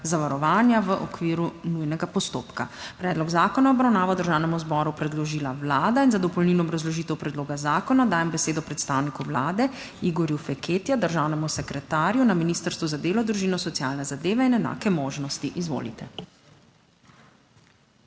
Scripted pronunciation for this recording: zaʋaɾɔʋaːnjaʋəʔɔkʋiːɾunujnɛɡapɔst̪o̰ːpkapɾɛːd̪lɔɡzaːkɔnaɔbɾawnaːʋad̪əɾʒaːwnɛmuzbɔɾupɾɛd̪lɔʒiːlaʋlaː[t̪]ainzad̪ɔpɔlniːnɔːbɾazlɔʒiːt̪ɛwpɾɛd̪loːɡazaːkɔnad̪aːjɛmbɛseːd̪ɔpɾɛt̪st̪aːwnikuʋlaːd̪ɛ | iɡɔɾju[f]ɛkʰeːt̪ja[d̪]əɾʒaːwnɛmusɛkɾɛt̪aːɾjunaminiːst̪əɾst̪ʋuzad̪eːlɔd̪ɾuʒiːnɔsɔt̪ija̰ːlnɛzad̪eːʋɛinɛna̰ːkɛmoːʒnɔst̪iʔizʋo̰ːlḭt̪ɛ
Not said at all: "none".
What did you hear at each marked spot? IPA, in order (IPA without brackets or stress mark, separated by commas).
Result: d̪, f, d̪